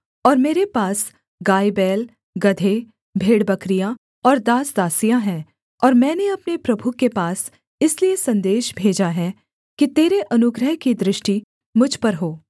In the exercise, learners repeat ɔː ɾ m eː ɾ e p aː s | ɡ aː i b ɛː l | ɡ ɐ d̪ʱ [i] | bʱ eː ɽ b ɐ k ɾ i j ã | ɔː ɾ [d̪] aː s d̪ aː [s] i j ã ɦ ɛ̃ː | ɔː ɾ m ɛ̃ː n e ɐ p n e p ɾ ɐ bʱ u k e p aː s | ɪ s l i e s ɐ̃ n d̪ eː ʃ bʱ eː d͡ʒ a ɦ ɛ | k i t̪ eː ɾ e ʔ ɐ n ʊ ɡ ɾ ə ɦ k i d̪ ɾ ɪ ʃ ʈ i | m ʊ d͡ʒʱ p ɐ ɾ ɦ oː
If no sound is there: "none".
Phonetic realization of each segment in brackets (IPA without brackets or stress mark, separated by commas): e, d̪, s